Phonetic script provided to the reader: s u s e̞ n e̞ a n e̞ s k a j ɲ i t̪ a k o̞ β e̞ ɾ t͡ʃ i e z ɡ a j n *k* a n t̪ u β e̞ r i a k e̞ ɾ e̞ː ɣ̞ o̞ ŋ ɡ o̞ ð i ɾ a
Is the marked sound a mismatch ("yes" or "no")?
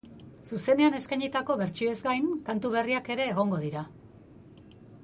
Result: no